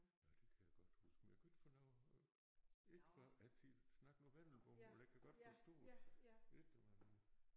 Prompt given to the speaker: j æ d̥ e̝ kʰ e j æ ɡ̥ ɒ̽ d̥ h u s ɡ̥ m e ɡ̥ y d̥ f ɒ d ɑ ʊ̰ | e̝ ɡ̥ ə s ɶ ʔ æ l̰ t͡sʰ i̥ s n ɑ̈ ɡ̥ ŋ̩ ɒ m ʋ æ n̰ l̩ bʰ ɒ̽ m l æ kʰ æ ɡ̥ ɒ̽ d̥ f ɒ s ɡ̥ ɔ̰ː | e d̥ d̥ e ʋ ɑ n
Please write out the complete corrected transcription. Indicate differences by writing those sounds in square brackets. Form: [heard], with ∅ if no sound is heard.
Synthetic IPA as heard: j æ d̥ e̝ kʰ [æ] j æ ɡ̥ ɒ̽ d̥ h u s ɡ̥ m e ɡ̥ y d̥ f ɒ [n] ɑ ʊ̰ | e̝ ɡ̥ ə [f] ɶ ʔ æ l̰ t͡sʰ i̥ s n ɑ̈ ɡ̥ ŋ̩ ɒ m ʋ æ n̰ l̩ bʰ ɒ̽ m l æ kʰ æ ɡ̥ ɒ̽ d̥ f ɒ s [d̥] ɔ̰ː | e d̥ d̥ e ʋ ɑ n